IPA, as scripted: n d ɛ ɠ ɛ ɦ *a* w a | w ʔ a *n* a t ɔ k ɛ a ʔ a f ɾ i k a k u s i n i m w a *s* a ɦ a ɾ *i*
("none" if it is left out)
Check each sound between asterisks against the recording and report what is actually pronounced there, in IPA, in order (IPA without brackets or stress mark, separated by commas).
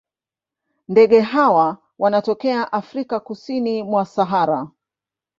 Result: a, n, s, a